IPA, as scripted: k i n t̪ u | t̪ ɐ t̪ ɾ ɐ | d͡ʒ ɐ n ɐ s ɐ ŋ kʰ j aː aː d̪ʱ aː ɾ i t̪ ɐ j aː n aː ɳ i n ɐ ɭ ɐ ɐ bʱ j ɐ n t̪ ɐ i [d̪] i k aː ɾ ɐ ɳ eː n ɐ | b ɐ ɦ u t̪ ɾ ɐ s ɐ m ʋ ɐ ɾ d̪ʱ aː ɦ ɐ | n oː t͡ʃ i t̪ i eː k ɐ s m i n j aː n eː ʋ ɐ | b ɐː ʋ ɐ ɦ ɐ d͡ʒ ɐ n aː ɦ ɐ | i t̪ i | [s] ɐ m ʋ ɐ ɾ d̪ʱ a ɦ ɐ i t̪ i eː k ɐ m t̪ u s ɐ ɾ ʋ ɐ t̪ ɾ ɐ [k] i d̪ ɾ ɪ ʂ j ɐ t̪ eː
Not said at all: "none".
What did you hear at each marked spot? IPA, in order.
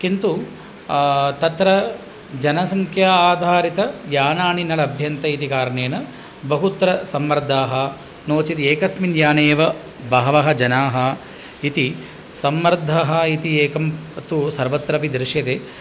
t̪, s, p

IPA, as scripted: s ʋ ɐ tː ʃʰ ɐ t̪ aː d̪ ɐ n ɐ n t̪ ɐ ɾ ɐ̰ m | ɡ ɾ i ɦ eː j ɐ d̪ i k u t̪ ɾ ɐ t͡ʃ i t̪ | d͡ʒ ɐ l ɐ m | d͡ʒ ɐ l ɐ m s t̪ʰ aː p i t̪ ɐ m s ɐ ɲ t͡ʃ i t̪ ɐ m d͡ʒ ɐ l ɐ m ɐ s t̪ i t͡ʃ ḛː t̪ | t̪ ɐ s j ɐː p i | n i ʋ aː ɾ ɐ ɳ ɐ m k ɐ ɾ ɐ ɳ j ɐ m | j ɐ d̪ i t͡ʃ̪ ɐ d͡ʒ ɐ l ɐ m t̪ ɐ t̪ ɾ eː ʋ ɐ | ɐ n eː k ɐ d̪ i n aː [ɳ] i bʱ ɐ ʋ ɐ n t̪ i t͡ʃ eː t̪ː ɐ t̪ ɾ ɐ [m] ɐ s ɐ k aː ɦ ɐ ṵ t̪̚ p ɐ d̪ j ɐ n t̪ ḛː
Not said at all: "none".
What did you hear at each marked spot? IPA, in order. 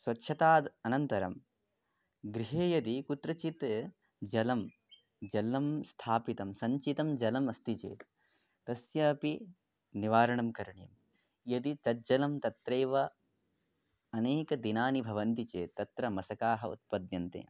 n, m

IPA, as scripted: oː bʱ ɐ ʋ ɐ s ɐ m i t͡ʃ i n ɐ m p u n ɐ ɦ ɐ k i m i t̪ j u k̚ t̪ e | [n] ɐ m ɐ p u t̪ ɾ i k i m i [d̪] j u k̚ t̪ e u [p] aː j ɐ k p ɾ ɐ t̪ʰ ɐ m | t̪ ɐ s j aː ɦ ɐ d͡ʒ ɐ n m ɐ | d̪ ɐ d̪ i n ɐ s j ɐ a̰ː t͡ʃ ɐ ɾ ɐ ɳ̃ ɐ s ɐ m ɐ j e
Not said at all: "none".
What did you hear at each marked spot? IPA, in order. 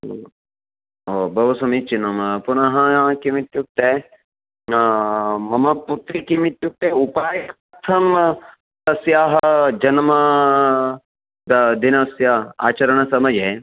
m, t̪, p

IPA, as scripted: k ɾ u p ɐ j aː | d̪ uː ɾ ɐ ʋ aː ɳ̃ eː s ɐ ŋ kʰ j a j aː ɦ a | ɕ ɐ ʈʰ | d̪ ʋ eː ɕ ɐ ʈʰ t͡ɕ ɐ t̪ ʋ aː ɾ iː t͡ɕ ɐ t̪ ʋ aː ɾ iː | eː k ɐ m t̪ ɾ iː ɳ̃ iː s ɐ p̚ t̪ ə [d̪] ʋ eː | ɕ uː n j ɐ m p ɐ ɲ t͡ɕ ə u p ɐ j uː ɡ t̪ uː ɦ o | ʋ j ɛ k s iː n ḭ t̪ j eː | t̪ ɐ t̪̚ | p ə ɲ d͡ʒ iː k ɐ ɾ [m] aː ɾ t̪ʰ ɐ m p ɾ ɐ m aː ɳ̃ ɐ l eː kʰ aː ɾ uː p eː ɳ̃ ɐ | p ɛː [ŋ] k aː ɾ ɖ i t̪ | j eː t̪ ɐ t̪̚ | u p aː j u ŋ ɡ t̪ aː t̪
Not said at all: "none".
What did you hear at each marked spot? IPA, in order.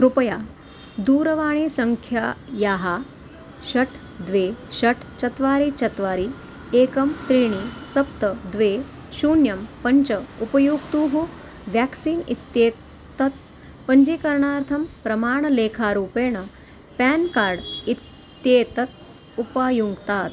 d̪, ɳ, n

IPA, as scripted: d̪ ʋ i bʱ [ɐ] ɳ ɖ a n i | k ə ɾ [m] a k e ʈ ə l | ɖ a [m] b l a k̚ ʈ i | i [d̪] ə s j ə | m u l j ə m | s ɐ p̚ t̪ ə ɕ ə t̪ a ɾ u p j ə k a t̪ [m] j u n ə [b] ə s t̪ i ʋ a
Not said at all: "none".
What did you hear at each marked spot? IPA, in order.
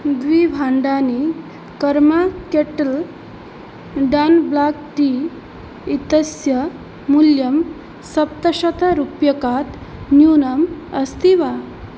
a, m, n, t̪, n, m

